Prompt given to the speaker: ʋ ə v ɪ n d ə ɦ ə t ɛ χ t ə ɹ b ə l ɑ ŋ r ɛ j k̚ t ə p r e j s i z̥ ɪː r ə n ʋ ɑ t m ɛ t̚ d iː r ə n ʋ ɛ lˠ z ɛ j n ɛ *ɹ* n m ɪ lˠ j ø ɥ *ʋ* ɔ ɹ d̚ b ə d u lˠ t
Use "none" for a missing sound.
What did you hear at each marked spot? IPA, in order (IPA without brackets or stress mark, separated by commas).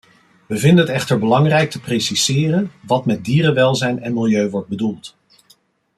none, ʋ